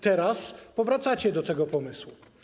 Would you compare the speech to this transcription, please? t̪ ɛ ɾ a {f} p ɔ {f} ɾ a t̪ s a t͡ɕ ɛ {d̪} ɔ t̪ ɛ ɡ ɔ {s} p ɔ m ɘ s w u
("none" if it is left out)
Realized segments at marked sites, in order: s, v, d̪, none

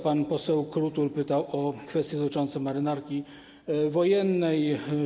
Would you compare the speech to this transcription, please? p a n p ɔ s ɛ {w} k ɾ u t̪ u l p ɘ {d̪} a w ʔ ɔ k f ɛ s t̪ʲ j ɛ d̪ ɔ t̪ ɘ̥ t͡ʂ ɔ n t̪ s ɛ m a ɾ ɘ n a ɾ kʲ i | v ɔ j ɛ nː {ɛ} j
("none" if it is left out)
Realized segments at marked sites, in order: w, t̪, ɛ

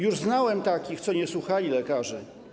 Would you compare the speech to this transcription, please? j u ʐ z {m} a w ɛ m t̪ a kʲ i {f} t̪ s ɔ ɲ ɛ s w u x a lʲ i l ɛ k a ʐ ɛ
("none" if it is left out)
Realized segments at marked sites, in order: n, x

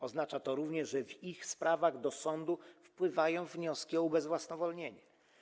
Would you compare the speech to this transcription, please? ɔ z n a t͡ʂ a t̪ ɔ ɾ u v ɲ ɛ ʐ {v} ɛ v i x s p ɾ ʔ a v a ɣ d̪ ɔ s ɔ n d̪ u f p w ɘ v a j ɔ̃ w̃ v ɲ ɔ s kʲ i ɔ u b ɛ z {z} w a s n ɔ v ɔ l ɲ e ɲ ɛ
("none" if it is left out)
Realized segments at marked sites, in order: ʐ, v

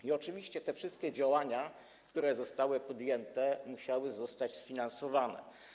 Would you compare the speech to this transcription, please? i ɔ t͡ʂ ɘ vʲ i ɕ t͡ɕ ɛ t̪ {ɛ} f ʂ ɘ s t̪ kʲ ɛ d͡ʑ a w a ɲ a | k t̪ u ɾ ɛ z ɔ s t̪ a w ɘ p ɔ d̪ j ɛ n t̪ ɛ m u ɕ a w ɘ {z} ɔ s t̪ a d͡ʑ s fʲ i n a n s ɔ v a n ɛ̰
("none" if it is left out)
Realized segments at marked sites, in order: ɛ, z

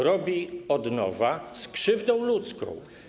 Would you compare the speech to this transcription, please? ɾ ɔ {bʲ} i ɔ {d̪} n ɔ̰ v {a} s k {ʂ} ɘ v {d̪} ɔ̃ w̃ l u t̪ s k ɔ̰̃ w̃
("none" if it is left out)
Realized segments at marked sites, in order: bʲ, d̪, a, ʂ, d̪

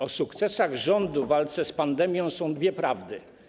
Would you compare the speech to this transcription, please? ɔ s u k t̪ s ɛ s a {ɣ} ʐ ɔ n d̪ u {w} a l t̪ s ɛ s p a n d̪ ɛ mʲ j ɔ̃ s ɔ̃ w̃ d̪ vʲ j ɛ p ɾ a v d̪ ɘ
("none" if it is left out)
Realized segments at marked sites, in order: ɣ, v

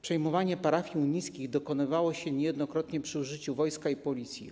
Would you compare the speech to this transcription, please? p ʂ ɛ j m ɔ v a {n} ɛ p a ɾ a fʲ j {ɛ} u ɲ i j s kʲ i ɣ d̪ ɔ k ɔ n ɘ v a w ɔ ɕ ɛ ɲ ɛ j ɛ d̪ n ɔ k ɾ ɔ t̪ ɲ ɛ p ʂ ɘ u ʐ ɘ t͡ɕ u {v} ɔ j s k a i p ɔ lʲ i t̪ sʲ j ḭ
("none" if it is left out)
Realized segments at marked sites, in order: ɲ, i, v

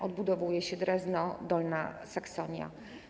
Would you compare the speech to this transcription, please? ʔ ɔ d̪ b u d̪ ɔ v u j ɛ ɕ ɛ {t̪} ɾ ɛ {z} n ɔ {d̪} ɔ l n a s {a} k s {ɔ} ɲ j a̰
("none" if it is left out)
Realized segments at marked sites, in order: d̪, z, d̪, a, ɔ

